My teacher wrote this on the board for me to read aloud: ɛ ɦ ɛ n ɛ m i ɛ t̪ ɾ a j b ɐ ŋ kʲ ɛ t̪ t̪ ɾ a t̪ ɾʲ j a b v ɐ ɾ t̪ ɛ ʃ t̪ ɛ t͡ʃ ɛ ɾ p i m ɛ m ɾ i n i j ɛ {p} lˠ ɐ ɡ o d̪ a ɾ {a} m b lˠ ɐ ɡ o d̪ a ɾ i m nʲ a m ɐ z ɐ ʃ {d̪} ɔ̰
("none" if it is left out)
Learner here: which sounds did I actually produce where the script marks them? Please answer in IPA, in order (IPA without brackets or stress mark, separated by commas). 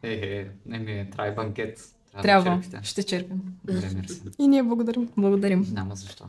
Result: b, i, t̪